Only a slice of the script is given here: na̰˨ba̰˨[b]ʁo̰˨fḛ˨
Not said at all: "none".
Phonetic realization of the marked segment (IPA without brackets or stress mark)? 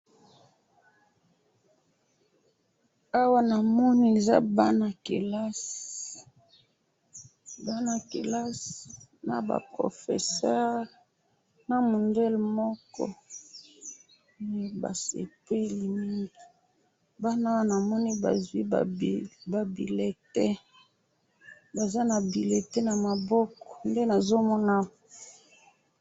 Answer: p